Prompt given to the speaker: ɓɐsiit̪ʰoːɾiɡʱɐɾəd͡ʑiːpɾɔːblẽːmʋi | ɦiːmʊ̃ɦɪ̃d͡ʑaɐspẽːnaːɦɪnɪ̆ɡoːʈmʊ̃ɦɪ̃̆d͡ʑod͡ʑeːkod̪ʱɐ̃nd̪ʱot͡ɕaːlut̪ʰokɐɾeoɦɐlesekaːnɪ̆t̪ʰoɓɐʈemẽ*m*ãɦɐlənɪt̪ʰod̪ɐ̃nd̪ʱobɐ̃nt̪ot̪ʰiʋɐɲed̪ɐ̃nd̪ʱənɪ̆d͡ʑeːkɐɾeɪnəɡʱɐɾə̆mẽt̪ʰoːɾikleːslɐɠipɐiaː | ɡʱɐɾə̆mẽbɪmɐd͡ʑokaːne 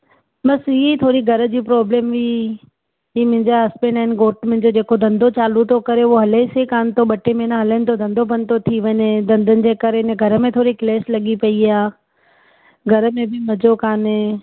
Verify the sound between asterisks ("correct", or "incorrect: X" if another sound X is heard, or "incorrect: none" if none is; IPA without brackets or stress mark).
incorrect: n